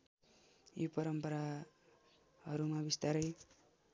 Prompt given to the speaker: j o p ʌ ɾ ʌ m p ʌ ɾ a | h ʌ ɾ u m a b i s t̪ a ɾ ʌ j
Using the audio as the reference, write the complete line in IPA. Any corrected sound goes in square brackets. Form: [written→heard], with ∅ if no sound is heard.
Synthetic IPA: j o p ʌ ɾ ʌ m p ʌ ɾ a | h ʌ ɾ u m a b i s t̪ a ɾ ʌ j